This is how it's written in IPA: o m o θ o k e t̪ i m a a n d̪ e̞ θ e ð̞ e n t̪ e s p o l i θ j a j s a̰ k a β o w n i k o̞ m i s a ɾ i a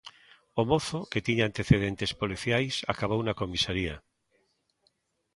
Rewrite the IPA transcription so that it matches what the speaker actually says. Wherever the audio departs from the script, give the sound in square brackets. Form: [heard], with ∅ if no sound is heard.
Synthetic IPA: o m o θ o k e t̪ i [ɲ] a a n [t̪] e̞ θ e ð̞ e n t̪ e s p o l i θ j a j s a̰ k a β o w n [a] k o̞ m i s a ɾ i a